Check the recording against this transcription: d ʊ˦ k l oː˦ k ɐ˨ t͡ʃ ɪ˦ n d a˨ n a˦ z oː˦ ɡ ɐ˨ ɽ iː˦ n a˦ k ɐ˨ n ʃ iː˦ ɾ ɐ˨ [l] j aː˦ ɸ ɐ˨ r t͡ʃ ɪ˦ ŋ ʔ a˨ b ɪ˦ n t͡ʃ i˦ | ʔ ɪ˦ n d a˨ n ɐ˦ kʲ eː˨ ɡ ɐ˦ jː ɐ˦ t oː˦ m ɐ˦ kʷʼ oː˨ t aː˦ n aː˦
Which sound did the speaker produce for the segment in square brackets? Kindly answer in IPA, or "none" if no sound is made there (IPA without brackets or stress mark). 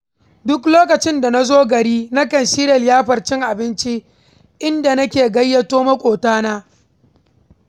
l